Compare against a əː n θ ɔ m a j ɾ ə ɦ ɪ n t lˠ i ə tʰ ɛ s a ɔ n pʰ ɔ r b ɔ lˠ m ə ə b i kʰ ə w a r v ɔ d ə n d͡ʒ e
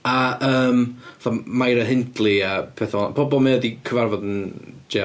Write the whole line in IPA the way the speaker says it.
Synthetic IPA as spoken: a əː m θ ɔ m a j ɾ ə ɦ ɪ n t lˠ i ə pʰ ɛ θ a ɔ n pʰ ɔ b ɔ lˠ m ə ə d i kʰ ə v a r v ɔ d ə n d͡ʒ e